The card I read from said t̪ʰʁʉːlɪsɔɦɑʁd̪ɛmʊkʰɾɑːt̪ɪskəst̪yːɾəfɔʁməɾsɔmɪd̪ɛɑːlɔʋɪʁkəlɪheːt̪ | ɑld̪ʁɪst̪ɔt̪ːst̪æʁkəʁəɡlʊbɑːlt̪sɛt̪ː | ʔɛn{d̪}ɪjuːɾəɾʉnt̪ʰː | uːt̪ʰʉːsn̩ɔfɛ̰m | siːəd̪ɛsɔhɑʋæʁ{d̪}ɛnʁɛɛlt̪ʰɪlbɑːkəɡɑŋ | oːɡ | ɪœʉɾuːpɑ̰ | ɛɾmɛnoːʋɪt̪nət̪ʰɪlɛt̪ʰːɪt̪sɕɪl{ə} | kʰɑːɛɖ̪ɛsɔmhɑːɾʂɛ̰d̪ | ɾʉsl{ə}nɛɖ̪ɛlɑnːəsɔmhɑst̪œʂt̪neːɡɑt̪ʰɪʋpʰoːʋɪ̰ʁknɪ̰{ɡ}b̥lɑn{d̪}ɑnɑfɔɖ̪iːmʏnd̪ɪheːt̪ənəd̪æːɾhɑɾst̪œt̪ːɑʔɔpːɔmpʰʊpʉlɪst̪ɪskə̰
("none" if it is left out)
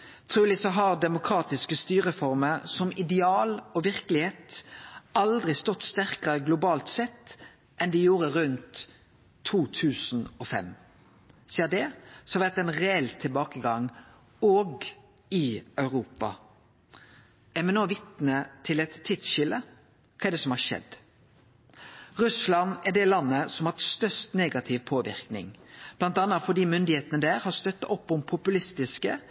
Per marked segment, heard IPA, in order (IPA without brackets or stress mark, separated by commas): d̪, t̪, ə, ɑ, ŋ, t̪